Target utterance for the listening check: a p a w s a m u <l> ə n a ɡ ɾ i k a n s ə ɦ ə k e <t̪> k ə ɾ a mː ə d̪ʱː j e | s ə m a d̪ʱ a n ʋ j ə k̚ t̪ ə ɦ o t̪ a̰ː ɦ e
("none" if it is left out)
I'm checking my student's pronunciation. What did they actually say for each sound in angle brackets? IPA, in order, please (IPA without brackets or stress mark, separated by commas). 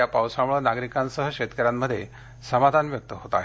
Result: ɭ, t̪